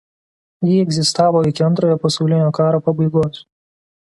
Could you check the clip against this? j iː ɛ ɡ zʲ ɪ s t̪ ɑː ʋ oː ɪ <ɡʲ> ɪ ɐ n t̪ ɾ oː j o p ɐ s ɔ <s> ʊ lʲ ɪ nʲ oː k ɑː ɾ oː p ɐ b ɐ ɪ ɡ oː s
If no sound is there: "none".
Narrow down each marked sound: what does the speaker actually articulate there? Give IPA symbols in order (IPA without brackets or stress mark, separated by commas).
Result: kʲ, none